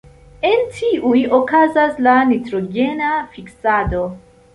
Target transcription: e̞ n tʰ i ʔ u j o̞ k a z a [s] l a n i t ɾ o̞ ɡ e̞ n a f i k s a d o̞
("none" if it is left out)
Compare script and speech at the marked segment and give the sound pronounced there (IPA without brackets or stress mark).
s